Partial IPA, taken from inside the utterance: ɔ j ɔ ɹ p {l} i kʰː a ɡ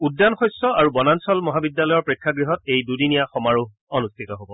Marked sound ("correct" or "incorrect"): incorrect